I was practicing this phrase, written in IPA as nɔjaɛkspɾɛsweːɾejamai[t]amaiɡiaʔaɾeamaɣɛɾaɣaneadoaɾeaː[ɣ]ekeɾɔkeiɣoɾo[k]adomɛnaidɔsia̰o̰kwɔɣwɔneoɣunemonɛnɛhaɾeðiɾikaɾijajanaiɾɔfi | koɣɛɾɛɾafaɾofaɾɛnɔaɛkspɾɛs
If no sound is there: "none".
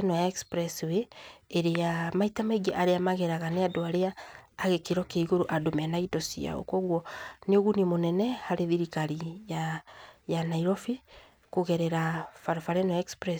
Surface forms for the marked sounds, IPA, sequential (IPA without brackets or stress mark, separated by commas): t, ɣ, ʔ